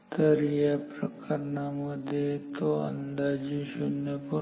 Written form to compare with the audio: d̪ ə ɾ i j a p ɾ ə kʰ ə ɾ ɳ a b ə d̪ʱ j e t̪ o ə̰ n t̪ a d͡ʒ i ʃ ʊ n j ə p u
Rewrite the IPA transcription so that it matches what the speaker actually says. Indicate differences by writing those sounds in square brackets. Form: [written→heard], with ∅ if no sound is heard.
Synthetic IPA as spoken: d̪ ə ɾ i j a p ɾ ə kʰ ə ɾ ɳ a [b→m] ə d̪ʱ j e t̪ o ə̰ n [t̪→d̪] a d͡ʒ i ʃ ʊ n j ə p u